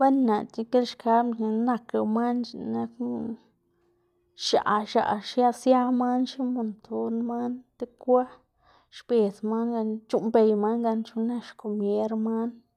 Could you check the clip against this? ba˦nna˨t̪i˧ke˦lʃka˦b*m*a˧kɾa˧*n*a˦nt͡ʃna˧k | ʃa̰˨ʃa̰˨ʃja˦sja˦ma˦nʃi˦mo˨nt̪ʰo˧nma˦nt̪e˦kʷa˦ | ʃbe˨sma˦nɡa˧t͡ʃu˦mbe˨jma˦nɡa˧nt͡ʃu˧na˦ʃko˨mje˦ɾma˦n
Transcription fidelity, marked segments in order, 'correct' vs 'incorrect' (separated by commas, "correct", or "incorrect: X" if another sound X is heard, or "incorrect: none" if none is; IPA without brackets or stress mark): incorrect: n, incorrect: m